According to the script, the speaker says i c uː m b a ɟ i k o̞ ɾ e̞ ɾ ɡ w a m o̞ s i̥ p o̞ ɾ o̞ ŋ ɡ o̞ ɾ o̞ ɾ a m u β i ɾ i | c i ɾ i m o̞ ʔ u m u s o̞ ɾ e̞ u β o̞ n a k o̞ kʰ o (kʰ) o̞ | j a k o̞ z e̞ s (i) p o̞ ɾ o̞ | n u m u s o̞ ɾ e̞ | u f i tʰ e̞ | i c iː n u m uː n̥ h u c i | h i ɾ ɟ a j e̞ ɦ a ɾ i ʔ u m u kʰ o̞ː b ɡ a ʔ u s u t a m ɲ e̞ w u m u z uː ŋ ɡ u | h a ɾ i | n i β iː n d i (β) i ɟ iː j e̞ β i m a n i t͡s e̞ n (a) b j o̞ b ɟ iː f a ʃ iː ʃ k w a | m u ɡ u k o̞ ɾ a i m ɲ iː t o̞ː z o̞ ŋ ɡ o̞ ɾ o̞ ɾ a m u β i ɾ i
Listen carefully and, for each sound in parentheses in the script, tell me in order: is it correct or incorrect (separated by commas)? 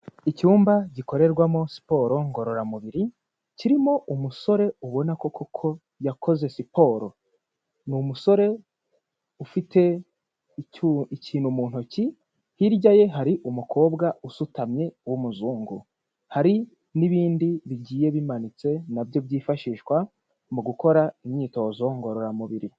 correct, correct, correct, correct